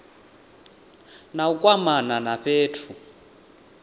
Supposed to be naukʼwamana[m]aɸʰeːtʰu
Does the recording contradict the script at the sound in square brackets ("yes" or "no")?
yes